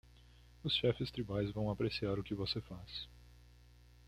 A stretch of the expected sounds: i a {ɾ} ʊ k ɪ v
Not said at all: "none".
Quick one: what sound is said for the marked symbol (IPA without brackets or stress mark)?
ɾ